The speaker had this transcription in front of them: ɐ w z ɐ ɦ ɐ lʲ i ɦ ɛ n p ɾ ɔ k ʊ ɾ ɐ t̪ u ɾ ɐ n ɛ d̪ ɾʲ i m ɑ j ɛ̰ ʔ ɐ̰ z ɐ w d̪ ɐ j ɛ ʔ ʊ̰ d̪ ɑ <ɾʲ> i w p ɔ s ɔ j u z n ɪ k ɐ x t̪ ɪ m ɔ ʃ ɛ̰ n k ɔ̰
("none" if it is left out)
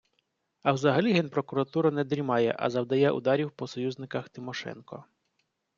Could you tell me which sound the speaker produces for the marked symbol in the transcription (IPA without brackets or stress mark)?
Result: ɾʲ